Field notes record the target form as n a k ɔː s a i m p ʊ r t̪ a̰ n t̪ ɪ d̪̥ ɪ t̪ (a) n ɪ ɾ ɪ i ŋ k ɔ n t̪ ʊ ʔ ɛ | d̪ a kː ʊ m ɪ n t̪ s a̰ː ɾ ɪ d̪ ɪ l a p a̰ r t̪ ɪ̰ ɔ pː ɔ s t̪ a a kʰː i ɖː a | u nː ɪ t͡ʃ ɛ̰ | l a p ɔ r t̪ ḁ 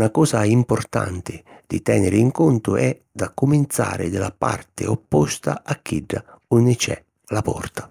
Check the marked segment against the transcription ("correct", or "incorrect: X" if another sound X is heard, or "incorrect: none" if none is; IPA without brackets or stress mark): incorrect: ɛ